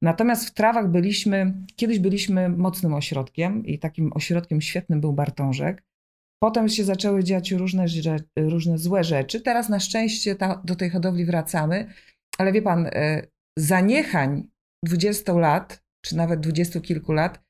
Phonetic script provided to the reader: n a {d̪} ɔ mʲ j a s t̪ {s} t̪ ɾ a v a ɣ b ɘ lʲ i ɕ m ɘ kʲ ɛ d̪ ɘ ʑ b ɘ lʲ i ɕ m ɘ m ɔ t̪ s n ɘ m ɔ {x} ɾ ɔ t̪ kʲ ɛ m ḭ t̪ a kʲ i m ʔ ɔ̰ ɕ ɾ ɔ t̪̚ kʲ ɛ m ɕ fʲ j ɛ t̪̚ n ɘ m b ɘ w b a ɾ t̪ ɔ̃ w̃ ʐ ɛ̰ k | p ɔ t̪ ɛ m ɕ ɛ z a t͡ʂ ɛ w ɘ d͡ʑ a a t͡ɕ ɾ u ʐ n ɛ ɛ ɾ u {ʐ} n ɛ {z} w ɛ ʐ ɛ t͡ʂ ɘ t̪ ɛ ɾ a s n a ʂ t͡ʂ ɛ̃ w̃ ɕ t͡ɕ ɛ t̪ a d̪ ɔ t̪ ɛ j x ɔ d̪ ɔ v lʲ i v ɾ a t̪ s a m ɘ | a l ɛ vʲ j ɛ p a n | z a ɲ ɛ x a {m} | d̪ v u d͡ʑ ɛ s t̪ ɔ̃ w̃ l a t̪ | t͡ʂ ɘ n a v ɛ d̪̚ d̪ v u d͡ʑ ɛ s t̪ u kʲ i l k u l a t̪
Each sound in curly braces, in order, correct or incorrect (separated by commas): incorrect, incorrect, incorrect, correct, correct, incorrect